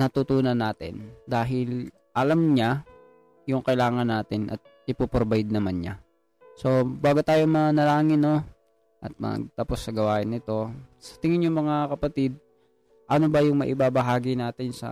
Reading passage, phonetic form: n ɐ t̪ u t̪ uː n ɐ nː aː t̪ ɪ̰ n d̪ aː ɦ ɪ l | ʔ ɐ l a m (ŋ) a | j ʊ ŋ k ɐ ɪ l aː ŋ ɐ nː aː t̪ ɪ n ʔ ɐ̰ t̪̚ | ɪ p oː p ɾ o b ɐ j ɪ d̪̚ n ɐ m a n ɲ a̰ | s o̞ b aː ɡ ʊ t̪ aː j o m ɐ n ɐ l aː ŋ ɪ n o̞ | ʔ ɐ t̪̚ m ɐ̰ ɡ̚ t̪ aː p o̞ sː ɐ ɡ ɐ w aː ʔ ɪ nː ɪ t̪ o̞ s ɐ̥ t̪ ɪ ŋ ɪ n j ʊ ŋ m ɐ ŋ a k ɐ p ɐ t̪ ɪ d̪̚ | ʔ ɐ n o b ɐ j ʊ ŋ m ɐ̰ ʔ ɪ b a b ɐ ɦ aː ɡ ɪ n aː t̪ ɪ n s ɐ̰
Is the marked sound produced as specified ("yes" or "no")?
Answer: no